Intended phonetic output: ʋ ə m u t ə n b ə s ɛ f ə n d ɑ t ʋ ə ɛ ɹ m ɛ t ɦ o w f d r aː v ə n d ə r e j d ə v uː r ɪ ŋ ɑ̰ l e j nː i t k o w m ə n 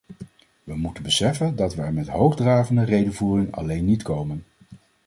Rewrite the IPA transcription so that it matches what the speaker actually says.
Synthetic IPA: ʋ ə m u t ə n b ə s ɛ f ə n d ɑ t ʋ ə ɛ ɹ m ɛ t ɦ o w χ d r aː v ə n d ə r e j d ə v uː r ɪ ŋ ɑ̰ l e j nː i t k o w m ə n